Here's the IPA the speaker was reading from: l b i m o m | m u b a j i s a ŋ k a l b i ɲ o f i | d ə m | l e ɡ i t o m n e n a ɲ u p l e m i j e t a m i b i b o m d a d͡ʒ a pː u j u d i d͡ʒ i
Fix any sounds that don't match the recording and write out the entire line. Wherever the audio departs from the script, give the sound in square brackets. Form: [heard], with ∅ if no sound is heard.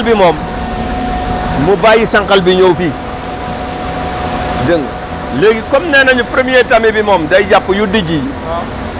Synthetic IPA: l b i m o m | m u b a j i s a ŋ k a l b i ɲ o f i | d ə [ŋ] | l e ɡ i [k] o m n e n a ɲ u p [ɾ] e m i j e t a m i b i [m] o m d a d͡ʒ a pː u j u d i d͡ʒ i